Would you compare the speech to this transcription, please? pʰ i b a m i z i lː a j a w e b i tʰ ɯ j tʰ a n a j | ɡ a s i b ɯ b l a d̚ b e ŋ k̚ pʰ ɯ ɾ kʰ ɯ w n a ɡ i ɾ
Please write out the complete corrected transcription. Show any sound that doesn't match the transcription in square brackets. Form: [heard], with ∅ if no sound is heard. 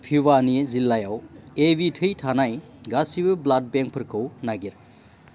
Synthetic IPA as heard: pʰ i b a [n] i z i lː a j a w e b i tʰ ɯ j tʰ a n a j | ɡ a s i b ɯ b l a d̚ b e ŋ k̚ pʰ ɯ ɾ kʰ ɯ w n a ɡ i ɾ